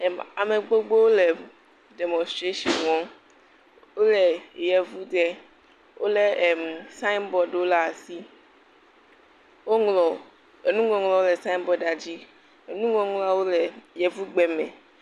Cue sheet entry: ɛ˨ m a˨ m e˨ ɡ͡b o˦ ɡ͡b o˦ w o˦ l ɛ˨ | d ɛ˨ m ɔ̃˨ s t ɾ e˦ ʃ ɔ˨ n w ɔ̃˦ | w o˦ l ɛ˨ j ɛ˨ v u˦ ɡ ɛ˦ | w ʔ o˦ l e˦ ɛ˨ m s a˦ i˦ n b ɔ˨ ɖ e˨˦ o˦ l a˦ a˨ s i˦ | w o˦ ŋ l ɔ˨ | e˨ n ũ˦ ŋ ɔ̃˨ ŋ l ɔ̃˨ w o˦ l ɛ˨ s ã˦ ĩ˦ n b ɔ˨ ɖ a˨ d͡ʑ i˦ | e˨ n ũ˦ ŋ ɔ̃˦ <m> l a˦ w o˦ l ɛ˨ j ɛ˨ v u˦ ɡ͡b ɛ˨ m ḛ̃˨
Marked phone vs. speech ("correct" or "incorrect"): incorrect